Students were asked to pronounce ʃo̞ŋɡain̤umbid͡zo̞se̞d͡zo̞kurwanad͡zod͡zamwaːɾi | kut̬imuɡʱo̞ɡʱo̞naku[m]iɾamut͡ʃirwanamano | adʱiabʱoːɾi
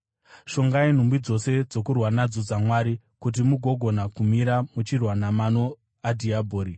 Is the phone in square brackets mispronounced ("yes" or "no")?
no